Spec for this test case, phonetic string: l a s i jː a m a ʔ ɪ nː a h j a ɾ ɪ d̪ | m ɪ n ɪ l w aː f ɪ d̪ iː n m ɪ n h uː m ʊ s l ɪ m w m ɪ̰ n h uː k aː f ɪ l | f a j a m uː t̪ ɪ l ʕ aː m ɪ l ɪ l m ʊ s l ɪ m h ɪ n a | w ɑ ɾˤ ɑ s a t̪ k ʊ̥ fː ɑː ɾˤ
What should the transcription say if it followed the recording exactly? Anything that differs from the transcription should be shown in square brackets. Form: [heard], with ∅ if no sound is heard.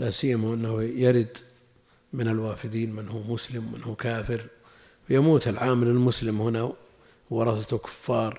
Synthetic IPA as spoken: l a s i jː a m a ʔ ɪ nː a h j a ɾ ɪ d̪ | m ɪ n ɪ l w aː f ɪ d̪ iː n m ɪ n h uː m ʊ s l ɪ m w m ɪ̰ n h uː k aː f ɪ [ɾ] | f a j a m uː t̪ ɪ l ʕ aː m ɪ l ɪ l m ʊ s l ɪ m h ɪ n a | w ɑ ɾˤ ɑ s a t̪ k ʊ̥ fː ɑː ɾˤ